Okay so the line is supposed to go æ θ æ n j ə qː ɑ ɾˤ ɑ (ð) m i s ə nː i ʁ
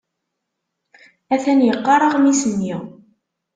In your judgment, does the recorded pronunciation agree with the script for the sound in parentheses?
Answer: no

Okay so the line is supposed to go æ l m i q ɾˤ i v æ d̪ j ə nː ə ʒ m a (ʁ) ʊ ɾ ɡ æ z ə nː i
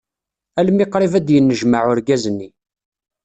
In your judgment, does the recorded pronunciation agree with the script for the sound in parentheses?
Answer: no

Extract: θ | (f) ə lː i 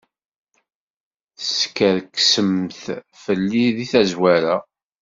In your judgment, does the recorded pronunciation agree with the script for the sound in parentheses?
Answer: yes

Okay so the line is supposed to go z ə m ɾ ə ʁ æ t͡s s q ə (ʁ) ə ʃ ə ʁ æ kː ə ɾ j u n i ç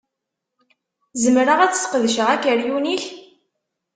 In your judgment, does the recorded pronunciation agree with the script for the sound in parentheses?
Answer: no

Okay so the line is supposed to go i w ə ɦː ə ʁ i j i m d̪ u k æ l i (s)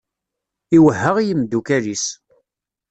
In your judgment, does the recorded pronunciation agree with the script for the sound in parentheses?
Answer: yes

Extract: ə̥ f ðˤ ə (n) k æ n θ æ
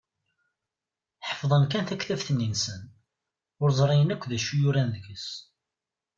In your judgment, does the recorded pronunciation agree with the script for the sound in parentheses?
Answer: yes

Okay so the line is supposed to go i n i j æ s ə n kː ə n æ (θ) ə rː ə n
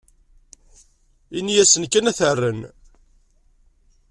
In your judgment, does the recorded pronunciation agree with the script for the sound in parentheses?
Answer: yes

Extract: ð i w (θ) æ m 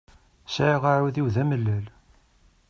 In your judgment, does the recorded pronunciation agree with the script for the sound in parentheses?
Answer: no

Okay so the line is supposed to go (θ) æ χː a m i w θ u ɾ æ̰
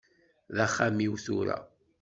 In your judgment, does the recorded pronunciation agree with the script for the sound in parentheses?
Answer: no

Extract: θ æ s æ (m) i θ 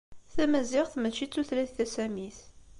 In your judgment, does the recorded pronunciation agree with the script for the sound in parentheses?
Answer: yes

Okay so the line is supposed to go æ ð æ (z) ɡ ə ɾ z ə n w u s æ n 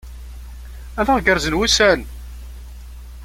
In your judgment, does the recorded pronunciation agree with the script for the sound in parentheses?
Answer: no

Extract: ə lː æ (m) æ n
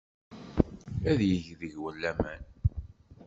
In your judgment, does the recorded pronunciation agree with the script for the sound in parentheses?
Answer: yes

